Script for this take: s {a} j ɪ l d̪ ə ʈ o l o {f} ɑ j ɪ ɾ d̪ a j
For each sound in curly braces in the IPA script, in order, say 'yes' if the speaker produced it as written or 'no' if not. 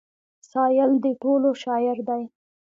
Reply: no, no

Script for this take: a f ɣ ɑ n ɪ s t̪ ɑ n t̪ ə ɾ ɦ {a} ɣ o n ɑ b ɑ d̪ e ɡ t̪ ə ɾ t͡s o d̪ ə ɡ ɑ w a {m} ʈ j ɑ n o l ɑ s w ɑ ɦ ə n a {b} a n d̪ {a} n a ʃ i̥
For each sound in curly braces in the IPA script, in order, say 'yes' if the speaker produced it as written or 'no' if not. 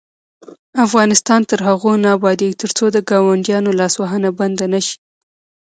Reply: yes, no, yes, yes

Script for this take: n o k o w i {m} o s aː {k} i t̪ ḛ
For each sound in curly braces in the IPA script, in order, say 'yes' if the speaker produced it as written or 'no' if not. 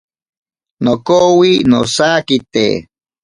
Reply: no, yes

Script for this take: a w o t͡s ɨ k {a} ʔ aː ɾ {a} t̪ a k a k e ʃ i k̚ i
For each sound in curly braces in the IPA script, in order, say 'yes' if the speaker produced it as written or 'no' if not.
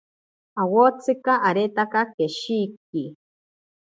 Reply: yes, no

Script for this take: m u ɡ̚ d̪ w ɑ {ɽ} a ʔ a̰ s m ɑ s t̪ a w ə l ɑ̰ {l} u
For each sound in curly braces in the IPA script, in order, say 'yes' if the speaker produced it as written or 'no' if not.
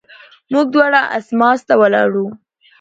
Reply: yes, no

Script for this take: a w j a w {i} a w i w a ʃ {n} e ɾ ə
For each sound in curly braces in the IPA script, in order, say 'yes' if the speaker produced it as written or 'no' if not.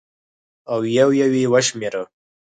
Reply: no, no

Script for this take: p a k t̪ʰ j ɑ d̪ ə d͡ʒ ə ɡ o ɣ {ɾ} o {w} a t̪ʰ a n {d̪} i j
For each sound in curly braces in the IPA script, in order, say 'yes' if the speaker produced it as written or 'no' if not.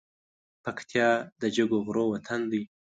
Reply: yes, yes, yes

